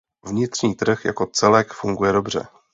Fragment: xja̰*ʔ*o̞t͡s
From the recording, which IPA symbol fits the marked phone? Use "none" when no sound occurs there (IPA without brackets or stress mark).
k